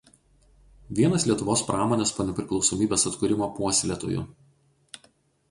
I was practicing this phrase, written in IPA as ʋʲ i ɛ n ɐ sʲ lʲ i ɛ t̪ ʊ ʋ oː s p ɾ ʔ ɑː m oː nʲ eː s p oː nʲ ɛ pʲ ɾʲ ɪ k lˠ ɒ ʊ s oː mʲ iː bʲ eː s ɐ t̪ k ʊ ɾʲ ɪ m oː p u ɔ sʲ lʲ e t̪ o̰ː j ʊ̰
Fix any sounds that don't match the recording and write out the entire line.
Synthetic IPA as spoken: ʋʲ i ɛ n ɐ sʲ lʲ i ɛ t̪ ʊ ʋ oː s p ɾ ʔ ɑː m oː nʲ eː s p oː nʲ ɛ pʲ ɾʲ ɪ k lˠ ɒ ʊ s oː mʲ iː bʲ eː s ɐ t̪ k ʊ ɾʲ ɪ m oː p u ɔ sʲ lʲ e t̪ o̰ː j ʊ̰